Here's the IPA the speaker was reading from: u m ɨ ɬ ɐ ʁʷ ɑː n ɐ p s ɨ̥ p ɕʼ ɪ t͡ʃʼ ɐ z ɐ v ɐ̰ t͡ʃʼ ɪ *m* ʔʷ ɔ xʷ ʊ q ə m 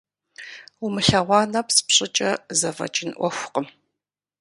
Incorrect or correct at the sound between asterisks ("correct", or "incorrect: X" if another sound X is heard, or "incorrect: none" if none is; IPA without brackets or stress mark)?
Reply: incorrect: n